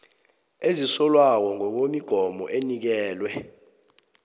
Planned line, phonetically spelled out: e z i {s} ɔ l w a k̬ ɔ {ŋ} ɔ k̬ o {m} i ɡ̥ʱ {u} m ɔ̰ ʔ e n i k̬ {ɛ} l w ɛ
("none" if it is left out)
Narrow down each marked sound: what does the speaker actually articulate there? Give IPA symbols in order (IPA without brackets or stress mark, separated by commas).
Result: s, ŋ, m, ɔ, ɛː